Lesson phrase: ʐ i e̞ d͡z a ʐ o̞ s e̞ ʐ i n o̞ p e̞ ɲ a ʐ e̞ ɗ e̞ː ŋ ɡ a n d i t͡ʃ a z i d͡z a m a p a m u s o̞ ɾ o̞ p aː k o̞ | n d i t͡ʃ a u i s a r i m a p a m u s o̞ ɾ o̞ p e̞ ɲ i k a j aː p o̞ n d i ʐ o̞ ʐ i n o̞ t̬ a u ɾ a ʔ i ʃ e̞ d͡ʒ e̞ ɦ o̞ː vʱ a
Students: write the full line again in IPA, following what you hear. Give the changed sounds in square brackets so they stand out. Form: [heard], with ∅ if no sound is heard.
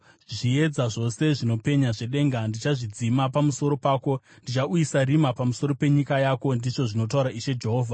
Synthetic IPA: ʐ i e̞ d͡z a ʐ o̞ s e̞ ʐ i n o̞ p e̞ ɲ a ʐ e̞ ɗ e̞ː ŋ ɡ a n d i t͡ʃ a [ʐ] i d͡z [i] m a p a m u s o̞ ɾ o̞ p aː k o̞ | n d i t͡ʃ a u i s a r i m a p a m u s o̞ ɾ o̞ p e̞ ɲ i k a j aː [k] o̞ n d i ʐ o̞ ʐ i n o̞ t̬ a u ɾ a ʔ i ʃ e̞ d͡ʒ e̞ ɦ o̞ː vʱ a